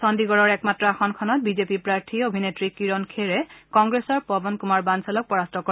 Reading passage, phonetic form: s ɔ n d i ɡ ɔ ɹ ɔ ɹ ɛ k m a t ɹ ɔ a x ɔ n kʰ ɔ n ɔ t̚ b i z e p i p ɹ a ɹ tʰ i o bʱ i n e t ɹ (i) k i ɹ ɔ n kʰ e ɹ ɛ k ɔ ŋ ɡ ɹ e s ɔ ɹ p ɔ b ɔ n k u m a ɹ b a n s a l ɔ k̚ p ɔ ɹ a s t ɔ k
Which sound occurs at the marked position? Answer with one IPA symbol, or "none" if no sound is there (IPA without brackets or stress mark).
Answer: i